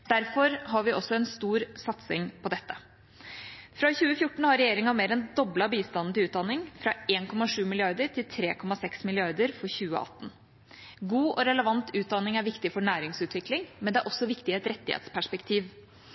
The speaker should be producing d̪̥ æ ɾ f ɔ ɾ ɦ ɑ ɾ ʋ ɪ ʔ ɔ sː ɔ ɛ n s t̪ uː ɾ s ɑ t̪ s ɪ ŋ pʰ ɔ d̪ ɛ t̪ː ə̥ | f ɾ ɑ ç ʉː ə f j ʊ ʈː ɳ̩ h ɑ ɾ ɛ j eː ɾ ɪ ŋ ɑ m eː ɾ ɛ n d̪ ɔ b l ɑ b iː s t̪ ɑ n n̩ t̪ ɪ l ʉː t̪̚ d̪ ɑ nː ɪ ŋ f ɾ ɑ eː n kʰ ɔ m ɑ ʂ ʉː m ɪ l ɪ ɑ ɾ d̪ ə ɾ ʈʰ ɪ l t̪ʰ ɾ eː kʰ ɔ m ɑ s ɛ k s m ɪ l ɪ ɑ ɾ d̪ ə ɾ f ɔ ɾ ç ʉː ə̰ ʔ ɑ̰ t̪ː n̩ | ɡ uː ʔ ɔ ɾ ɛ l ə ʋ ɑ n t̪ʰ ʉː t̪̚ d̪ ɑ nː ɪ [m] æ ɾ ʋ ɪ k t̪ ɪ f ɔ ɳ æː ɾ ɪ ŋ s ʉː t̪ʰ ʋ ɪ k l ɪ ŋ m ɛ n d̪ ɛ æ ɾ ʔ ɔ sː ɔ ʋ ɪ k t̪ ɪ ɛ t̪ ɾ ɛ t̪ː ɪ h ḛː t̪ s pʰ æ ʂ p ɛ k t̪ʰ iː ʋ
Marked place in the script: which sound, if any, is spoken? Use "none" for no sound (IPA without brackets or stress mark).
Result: ŋ